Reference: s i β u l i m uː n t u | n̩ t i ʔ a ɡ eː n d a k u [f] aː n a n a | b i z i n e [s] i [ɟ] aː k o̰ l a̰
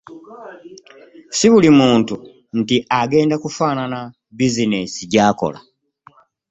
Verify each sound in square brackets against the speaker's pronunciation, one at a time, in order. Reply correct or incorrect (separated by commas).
correct, correct, correct